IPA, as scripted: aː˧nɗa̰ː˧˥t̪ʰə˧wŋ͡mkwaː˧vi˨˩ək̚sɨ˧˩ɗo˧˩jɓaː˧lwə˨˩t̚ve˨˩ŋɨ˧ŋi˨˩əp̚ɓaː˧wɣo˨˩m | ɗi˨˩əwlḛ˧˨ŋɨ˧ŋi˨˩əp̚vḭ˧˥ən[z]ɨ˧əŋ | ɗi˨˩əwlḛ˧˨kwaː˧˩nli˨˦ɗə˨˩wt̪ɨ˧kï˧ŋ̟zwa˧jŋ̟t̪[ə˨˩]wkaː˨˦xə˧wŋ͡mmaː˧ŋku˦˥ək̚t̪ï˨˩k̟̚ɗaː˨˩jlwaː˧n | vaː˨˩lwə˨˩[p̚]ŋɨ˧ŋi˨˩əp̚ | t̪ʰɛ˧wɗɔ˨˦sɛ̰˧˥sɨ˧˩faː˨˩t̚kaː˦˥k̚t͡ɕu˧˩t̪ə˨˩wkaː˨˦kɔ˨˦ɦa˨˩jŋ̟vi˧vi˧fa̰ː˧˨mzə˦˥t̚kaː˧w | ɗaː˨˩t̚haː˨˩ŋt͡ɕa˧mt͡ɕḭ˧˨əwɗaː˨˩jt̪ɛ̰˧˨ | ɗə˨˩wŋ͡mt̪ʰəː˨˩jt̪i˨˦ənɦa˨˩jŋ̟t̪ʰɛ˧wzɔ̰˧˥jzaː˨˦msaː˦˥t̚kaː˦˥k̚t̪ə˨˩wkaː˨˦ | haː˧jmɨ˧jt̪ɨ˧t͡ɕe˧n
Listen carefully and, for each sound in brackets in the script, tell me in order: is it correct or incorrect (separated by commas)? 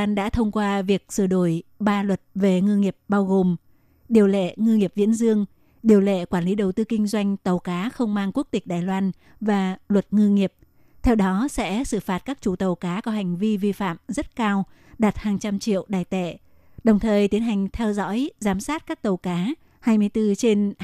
correct, correct, incorrect